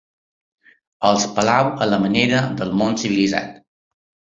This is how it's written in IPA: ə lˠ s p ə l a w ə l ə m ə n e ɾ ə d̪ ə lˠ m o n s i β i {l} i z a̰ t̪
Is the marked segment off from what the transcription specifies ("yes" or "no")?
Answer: no